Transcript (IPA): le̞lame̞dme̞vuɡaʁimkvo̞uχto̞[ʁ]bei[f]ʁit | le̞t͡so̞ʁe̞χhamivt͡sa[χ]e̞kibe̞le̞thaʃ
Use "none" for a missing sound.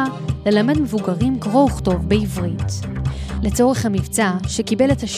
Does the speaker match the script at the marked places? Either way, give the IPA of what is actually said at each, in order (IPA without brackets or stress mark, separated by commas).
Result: v, v, ʃ